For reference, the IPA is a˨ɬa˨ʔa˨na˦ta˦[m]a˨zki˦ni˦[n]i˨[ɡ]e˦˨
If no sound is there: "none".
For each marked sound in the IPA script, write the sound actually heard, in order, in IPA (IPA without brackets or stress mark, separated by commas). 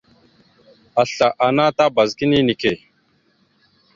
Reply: b, n, k